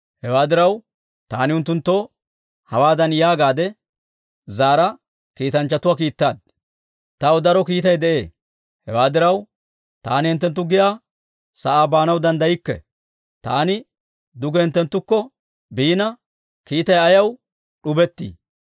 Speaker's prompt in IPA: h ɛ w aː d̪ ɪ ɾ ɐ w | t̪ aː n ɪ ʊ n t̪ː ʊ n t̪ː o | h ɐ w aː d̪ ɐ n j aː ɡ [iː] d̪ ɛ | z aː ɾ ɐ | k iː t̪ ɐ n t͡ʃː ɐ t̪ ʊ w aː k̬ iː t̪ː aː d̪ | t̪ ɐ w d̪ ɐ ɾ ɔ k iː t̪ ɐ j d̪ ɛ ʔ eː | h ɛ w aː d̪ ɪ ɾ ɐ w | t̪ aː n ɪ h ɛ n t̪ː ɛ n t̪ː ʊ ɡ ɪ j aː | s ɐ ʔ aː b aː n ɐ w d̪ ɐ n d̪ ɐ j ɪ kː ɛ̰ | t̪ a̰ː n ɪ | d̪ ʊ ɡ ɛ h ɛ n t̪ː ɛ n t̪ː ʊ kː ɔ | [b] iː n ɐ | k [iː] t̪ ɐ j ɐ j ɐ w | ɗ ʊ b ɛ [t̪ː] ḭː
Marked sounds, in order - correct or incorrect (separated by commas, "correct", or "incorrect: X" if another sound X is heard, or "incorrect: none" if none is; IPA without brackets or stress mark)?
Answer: incorrect: aː, correct, correct, correct